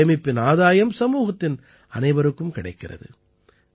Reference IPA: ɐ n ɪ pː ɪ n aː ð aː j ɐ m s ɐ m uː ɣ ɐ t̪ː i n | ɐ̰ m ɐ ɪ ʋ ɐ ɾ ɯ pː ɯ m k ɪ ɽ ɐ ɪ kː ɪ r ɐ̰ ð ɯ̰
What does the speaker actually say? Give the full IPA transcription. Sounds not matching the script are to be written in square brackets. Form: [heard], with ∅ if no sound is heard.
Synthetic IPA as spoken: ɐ [m] ɪ pː ɪ n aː ð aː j ɐ m s ɐ m uː ɣ ɐ t̪ː [ɪ] n | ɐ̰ [n] ɐ ɪ ʋ ɐ ɾ ɯ [kː] ɯ m k ɪ ɽ ɐ ɪ kː ɪ r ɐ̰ ð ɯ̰

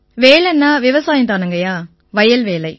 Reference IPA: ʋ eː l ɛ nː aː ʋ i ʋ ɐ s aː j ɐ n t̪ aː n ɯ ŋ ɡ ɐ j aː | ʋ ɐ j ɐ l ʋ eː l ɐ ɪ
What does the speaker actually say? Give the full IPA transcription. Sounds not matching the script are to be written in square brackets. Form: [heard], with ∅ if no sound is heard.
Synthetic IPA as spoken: ʋ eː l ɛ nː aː ʋ [ɪ] ʋ ɐ s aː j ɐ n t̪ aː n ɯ ŋ ɡ ɐ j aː | ʋ ɐ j ɐ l ʋ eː l ɐ ɪ

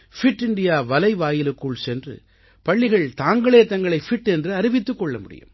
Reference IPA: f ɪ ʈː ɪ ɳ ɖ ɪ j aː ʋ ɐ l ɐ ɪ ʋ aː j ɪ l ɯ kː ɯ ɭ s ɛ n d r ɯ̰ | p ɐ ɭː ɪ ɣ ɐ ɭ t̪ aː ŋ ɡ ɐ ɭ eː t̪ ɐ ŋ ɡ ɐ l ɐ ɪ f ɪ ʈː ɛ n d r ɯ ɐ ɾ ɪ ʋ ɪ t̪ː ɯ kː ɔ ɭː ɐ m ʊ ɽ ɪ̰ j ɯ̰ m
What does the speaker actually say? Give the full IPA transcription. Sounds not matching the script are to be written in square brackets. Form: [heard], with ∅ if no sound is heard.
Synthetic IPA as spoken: f ɪ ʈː ɪ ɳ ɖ ɪ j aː ʋ ɐ l ɐ ɪ ʋ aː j ɪ l ɯ kː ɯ ɭ s ɛ n d r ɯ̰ | p ɐ ɭː ɪ ɣ ɐ ɭ t̪ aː ŋ ɡ ɐ ɭ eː t̪ ɐ ŋ ɡ ɐ [ɭ] ɐ ɪ f ɪ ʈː ɛ n d r ɯ ɐ ɾ ɪ ʋ ɪ t̪ː ɯ kː ɔ ɭː ɐ m ʊ ɽ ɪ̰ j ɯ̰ m

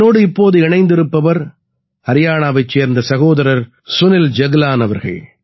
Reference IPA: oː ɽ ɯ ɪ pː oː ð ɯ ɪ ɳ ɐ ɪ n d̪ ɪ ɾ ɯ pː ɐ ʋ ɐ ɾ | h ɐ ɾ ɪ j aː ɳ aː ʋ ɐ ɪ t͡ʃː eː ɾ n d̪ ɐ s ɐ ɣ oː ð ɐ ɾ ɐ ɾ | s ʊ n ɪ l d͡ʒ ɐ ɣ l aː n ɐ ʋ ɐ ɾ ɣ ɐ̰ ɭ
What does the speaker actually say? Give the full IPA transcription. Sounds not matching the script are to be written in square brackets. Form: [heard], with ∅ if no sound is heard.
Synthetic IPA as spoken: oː ɽ ɯ ɪ pː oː ð ɯ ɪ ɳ ɐ ɪ n d̪ ɪ ɾ ɯ pː ɐ ʋ ɐ ɾ | h ɐ ɾ ɪ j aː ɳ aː ʋ ɐ ɪ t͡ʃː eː ɾ n d̪ ɐ s ɐ ɣ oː ð ɐ ɾ ɐ ɾ | s ʊ n ɪ l d͡ʒ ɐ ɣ l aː n ɐ ʋ ɐ ɾ ɣ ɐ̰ ɭ

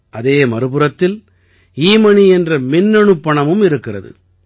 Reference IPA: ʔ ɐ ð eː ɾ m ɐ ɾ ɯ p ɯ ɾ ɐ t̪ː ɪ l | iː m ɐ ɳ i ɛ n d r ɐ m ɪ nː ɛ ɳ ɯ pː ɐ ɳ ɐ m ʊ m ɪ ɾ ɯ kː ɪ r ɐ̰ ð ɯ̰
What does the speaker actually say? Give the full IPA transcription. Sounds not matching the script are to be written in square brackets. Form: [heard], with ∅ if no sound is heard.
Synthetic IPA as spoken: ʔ ɐ ð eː [∅] m ɐ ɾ ɯ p ɯ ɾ ɐ t̪ː ɪ l | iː m ɐ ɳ i ɛ n d r ɐ m ɪ nː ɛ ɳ ɯ pː ɐ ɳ ɐ m [ɯ] m ɪ ɾ ɯ kː ɪ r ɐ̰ ð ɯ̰

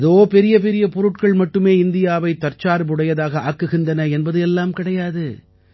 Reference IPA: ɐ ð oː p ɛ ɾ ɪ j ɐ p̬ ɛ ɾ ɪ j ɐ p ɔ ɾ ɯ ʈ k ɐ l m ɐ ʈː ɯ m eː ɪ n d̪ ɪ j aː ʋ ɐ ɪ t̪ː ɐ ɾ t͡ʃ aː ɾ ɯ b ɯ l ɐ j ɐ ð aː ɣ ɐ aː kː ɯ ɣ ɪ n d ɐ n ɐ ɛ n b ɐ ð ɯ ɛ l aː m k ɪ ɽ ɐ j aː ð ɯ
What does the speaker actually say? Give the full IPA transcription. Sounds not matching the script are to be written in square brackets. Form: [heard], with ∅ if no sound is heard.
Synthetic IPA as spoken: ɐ ð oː p ɛ ɾ ɪ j ɐ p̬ ɛ ɾ ɪ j ɐ p ɔ ɾ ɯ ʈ k ɐ [ɭ] m ɐ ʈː ɯ m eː ɪ n d̪ ɪ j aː ʋ ɐ ɪ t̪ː ɐ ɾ t͡ʃ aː ɾ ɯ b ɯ [ɽ] ɐ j ɐ ð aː ɣ ɐ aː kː ɯ ɣ ɪ n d ɐ n ɐ ɛ n b ɐ ð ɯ ɛ [lː] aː m k ɪ ɽ ɐ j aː ð ɯ

